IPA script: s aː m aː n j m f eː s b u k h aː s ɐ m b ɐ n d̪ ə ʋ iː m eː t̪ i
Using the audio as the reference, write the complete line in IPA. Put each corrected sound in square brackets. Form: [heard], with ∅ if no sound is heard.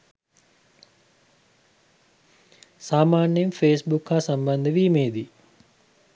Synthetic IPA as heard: s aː m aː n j m f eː s b u k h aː s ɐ m b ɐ n d̪ ə ʋ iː m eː [d̪] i